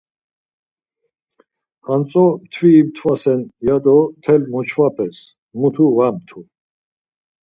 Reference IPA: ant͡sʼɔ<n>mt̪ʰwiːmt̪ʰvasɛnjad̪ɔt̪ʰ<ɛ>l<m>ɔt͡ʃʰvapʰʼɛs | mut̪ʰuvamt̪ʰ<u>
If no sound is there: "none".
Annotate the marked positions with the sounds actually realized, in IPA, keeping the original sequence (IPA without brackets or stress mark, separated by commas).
none, ɛ, m, u